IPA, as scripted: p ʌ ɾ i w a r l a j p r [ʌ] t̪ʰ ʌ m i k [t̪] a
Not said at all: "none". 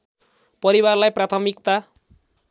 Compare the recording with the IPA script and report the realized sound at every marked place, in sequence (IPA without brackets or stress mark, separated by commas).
a, t̪